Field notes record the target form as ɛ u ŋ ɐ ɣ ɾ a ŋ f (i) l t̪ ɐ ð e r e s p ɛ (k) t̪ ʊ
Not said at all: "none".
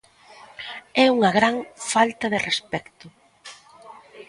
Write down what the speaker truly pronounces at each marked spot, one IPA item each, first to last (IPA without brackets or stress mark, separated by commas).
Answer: a, k